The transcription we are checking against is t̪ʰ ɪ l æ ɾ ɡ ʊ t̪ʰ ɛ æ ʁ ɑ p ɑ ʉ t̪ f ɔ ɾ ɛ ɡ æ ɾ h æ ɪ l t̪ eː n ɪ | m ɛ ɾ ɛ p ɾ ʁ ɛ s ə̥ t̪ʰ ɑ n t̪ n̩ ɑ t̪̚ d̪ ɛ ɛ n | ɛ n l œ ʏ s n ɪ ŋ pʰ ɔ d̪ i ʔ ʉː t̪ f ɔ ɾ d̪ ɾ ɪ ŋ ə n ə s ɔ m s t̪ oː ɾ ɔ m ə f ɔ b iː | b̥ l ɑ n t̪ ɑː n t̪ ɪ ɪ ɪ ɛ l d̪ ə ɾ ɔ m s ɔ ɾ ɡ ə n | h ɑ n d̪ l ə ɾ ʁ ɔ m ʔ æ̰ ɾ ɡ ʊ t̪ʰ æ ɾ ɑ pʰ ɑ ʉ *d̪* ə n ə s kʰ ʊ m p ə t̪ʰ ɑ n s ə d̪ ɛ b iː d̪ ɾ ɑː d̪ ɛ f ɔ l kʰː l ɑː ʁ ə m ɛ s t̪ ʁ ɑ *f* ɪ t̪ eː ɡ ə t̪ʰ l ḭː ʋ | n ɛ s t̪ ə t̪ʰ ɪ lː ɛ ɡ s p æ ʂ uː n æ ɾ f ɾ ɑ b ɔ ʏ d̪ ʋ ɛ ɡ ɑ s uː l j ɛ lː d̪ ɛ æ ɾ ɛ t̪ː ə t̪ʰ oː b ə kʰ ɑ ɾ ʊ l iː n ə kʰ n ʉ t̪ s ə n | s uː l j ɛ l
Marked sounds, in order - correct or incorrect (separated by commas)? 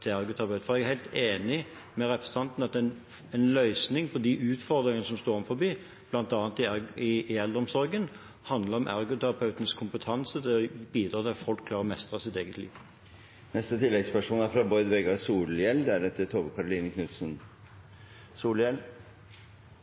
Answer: incorrect, incorrect